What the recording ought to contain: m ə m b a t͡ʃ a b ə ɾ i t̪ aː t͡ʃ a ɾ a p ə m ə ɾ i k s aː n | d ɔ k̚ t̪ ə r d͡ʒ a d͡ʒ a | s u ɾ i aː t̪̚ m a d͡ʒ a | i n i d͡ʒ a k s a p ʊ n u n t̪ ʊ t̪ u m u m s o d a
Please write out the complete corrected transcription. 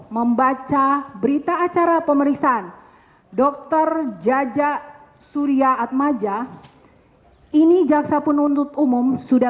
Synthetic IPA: m ə m b a t͡ʃ a b ə ɾ i t̪ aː t͡ʃ a ɾ a p ə m ə ɾ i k s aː n | d ɔ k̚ t̪ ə r d͡ʒ a d͡ʒ a | s u ɾ i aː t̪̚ m a d͡ʒ a | i n i d͡ʒ a k s a p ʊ n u n t̪ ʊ t̪ u m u m s u d a